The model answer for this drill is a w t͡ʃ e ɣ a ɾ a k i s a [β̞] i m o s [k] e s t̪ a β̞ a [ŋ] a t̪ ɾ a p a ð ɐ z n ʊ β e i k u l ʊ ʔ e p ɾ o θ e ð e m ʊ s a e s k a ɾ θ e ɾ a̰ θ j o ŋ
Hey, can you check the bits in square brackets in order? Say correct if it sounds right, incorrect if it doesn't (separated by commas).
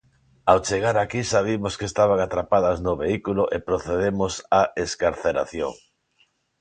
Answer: correct, correct, correct